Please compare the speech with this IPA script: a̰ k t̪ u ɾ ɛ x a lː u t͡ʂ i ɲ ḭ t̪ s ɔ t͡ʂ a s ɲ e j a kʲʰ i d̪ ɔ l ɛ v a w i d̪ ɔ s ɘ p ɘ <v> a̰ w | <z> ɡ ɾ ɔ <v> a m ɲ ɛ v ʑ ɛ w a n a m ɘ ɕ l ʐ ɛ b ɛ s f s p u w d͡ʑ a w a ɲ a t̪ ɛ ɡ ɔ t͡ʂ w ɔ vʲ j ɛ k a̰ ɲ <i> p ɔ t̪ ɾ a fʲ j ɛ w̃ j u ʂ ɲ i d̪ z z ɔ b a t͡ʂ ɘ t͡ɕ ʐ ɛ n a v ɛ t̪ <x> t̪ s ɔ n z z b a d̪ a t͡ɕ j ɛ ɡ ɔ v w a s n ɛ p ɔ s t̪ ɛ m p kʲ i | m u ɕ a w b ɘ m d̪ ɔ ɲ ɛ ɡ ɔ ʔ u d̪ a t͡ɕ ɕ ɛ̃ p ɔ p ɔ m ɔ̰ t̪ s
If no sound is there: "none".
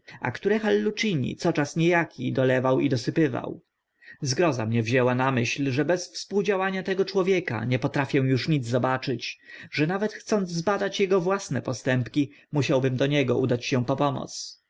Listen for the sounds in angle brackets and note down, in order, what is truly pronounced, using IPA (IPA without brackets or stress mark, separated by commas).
v, z, z, ɛ, x